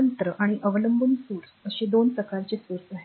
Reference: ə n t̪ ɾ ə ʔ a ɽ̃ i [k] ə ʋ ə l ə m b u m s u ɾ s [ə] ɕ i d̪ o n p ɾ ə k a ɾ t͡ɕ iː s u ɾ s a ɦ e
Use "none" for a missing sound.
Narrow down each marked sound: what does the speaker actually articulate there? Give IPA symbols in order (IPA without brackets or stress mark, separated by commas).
ʔ, ə